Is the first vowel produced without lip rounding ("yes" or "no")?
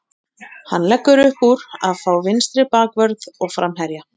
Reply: yes